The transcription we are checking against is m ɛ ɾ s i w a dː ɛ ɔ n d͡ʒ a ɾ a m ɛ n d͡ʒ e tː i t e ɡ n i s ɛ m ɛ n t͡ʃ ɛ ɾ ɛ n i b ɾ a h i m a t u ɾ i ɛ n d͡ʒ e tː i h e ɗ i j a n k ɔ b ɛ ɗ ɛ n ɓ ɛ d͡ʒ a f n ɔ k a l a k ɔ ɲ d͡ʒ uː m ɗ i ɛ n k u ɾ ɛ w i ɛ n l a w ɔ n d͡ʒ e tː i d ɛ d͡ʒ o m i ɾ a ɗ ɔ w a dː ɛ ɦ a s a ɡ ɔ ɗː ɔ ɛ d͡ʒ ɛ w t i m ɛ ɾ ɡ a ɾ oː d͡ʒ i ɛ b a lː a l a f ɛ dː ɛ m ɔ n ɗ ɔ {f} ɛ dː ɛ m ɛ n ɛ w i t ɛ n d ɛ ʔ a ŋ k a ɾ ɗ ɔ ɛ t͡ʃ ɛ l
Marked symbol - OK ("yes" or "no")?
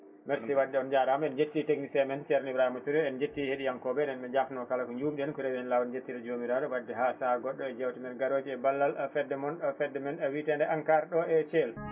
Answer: yes